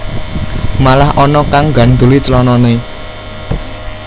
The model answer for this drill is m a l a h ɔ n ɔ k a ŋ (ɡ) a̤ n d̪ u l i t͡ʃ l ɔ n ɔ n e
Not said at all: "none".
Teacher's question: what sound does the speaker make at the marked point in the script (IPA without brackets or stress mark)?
ɡ